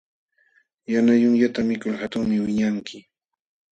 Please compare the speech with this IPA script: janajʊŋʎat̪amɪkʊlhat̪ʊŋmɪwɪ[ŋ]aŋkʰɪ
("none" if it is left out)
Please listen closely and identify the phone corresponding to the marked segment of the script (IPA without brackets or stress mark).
ɲ